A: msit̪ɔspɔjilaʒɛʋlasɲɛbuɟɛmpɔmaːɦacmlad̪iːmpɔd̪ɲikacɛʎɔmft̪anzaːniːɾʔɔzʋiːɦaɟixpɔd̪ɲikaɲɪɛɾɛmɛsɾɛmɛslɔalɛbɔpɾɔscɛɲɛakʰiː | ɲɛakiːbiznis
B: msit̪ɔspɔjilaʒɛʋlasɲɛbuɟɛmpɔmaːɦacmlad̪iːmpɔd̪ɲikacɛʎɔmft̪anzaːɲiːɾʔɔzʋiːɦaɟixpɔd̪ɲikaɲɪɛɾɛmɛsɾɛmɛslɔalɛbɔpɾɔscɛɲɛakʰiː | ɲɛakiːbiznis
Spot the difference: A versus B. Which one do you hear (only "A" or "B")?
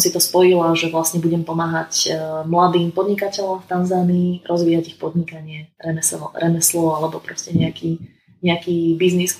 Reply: A